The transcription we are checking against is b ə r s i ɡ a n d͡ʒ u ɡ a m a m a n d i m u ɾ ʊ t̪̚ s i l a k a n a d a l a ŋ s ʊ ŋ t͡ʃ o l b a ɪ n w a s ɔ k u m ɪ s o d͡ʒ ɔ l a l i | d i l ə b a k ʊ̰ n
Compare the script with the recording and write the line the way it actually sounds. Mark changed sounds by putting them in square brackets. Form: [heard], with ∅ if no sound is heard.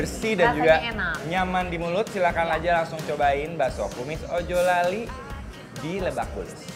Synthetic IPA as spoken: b ə r s i [d] a n d͡ʒ u ɡ a [ɲ] a m a n d i m u [l] ʊ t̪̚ s i l a k a n a [d͡ʒ] a l a ŋ s ʊ ŋ t͡ʃ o [∅] b a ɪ n [b] a s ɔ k u m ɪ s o d͡ʒ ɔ l a l i | d i l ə b a k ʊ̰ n